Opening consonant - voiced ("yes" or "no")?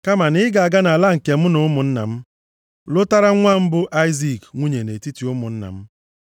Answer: no